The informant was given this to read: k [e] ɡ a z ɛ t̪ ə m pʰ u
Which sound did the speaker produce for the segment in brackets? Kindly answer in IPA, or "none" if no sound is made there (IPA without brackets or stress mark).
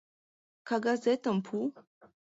a